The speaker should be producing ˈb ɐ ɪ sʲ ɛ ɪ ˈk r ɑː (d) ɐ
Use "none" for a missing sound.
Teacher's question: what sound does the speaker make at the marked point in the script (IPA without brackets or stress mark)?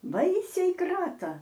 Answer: t